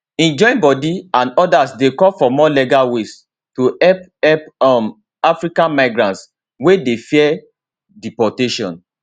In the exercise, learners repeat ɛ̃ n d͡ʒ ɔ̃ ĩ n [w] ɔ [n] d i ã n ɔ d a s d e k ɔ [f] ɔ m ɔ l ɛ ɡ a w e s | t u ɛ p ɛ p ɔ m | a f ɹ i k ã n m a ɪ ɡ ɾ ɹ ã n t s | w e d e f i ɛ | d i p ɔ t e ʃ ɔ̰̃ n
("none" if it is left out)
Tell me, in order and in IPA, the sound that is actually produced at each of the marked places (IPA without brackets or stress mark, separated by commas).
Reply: b, none, f